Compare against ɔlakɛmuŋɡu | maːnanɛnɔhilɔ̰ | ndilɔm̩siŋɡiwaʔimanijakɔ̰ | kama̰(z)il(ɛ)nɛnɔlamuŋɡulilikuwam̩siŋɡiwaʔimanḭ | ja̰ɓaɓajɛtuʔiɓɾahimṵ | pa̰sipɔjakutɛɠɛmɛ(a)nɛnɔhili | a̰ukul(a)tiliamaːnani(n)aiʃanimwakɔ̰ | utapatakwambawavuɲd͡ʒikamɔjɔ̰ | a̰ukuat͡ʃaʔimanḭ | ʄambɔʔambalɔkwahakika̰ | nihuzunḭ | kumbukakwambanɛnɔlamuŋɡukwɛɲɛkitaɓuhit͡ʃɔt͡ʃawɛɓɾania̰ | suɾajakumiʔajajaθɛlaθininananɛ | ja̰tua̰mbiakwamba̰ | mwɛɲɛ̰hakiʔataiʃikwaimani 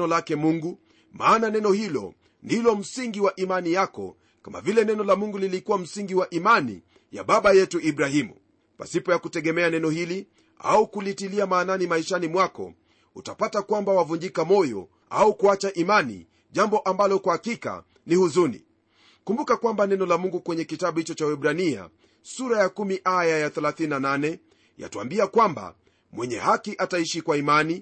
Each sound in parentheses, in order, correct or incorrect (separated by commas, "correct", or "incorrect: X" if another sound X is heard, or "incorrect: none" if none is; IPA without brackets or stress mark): incorrect: v, correct, correct, incorrect: i, incorrect: m